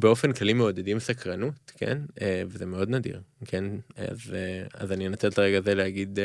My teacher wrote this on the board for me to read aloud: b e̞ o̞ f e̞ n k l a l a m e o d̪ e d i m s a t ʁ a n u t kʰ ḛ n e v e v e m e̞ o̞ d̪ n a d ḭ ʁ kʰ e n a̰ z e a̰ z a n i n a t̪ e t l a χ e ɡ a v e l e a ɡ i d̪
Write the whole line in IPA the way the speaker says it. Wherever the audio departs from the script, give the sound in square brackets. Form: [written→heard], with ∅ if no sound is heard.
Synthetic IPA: b e̞ o̞ f e̞ n k l a l [a→i] m e o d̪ e d i m s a [t→k] ʁ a n u t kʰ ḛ n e v e [v→z] e m e̞ o̞ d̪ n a d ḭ ʁ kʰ e n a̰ z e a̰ z a n i n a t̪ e t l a [χ→ʁ] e ɡ a [v→z] e l e a ɡ i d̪